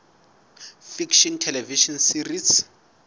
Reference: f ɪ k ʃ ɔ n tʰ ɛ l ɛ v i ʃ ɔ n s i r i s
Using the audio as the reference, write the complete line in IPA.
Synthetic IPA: f i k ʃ ɔ n tʰ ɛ l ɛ v i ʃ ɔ n s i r i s